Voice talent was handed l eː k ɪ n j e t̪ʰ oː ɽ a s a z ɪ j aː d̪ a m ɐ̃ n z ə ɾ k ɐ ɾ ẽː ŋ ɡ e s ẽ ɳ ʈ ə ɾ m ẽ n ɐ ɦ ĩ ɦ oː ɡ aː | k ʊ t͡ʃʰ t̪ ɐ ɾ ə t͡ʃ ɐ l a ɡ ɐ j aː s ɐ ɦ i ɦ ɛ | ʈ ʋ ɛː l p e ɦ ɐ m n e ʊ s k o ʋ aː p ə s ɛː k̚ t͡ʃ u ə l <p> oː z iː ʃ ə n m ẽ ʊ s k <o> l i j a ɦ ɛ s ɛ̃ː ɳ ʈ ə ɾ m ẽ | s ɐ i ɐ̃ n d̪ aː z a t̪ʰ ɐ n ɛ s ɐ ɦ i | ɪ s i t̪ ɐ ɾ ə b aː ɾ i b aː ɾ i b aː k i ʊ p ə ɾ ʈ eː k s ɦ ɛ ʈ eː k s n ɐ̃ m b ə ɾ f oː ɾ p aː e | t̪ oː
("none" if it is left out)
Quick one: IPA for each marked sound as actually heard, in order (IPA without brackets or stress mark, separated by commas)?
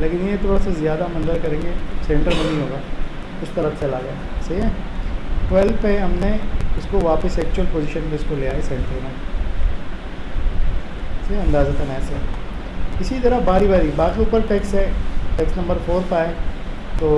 p, o